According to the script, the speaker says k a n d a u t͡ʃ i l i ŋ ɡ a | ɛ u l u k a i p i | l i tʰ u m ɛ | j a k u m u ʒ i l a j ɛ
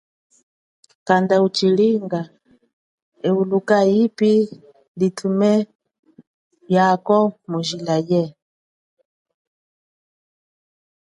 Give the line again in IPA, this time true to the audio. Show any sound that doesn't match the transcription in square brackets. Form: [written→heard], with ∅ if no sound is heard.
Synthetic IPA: k a n d a u t͡ʃ i l i ŋ ɡ a | ɛ u l u k a i p i | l i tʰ u m ɛ | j a k [u→ɔ] m u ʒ i l a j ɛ